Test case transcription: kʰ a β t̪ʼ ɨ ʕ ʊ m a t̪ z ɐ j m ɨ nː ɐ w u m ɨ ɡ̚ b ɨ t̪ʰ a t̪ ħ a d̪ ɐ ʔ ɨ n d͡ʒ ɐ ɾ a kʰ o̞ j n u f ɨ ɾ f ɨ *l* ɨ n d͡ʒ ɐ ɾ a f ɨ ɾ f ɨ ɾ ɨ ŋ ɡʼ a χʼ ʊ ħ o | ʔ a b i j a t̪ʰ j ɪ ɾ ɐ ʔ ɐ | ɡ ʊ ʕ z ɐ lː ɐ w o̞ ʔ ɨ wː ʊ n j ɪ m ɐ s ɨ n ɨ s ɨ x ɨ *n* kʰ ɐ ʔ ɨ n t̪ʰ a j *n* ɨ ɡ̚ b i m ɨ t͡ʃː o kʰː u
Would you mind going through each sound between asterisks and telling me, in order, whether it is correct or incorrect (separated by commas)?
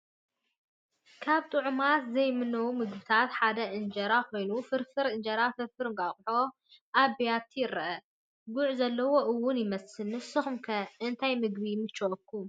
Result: incorrect, incorrect, incorrect